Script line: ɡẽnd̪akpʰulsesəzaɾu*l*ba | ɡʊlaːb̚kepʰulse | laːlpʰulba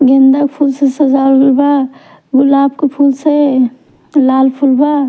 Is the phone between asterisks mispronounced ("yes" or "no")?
no